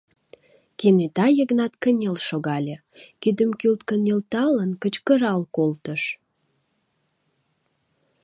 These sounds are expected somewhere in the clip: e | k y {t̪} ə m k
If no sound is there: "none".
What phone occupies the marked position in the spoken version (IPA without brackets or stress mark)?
d̪